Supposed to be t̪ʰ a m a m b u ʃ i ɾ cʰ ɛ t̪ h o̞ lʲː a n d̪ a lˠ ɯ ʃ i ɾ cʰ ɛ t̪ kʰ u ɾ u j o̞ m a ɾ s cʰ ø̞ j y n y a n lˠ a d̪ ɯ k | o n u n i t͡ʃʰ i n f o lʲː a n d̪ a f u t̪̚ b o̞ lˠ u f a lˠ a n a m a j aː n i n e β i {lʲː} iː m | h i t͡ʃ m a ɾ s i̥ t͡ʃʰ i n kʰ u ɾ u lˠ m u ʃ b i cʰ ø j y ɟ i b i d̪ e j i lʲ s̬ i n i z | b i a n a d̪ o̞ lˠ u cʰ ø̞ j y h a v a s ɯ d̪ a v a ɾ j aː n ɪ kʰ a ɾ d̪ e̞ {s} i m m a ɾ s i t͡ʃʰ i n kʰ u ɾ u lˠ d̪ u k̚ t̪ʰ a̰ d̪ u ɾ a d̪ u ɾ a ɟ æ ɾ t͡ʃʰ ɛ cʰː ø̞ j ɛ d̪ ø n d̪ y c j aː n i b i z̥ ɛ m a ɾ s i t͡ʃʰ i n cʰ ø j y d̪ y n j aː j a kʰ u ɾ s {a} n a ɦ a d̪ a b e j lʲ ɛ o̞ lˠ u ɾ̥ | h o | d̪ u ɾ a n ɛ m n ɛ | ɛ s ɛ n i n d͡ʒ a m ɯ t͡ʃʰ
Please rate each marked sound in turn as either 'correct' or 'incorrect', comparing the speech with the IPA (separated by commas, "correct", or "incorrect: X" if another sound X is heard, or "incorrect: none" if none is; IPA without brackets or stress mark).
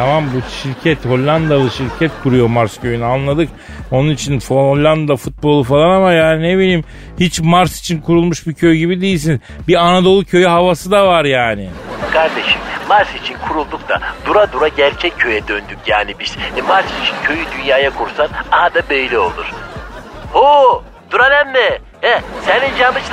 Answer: incorrect: lʲ, incorrect: ʃ, correct